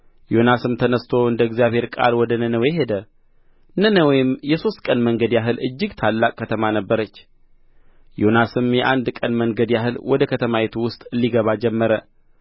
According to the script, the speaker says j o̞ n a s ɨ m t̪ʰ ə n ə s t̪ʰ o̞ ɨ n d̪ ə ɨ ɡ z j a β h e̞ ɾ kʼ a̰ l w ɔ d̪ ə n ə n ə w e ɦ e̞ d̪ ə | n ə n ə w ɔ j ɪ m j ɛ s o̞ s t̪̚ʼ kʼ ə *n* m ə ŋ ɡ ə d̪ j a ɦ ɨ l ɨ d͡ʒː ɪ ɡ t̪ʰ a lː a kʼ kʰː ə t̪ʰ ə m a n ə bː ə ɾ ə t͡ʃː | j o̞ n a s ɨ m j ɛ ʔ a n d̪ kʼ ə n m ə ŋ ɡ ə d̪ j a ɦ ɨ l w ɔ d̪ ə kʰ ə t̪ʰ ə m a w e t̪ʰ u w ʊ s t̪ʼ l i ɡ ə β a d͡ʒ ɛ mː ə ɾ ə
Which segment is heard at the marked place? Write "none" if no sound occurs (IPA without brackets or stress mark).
n